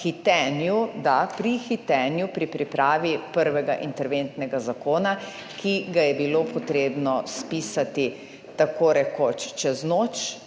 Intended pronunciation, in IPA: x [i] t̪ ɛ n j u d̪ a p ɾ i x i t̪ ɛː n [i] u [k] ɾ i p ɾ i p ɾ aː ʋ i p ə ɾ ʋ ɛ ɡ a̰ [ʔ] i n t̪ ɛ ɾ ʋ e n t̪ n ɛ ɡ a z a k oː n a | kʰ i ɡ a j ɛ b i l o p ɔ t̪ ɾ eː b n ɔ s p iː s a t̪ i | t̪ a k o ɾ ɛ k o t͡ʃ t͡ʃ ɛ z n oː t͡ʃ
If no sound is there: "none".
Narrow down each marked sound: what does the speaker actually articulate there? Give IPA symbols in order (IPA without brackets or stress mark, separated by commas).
i, j, p, ʔ